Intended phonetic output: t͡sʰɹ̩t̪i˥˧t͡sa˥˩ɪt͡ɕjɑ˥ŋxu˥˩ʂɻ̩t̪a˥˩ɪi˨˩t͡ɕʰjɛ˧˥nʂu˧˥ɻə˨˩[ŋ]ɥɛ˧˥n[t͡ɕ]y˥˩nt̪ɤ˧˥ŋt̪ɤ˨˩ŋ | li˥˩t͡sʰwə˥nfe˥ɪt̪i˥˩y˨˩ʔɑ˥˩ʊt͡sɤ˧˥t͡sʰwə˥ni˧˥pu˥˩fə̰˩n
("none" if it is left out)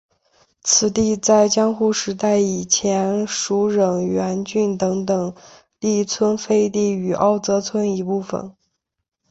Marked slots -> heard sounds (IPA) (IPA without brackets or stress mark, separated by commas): ŋ, t͡ɕ